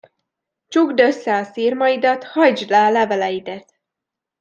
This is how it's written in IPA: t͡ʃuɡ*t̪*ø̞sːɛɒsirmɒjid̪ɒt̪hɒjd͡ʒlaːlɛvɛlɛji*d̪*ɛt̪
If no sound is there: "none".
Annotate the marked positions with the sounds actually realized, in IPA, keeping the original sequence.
d̪, d̪

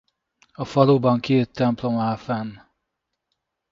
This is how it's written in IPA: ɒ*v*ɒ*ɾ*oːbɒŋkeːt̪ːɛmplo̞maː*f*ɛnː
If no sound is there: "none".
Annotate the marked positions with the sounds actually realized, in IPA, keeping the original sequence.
f, l, f

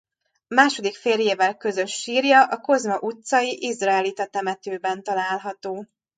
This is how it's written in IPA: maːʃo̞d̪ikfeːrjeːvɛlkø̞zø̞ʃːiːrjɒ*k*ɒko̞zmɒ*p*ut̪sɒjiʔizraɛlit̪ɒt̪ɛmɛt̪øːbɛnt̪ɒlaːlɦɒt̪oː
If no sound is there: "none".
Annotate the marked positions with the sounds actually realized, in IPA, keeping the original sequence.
ʔ, ʔ

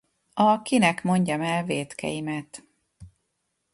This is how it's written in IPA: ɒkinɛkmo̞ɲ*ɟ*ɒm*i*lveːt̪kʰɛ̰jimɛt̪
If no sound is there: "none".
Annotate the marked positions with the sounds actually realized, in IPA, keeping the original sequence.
ɟ, ɛ

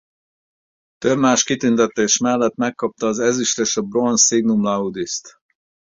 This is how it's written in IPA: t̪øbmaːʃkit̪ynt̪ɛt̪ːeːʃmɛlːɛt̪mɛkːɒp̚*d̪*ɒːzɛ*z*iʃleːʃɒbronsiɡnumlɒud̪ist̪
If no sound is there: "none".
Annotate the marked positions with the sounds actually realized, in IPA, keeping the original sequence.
t̪, z

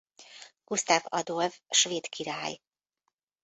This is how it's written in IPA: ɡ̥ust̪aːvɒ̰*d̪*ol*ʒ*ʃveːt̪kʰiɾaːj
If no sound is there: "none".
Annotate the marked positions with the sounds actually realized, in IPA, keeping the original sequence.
d̪, v

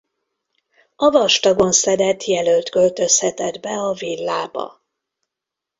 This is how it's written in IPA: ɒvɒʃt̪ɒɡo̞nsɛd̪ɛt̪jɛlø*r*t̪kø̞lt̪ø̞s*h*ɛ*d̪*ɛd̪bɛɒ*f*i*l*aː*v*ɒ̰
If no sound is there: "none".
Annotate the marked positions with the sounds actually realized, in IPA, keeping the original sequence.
l, h, t̪, v, lː, b

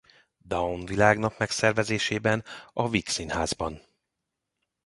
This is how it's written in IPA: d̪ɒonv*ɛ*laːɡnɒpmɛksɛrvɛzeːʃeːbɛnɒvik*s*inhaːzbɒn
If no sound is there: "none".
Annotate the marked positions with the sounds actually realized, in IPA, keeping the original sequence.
i, s

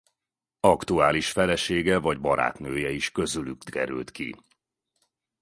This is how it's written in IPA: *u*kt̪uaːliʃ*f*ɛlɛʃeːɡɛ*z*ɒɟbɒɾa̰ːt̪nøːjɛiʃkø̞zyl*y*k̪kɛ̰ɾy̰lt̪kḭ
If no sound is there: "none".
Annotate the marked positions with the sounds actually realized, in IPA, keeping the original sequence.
ɒ, f, v, y

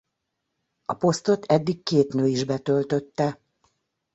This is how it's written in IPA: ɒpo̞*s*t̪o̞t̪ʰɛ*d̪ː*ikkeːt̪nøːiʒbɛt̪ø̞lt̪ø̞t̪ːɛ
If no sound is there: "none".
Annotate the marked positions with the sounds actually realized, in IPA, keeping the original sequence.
s, d̪ː

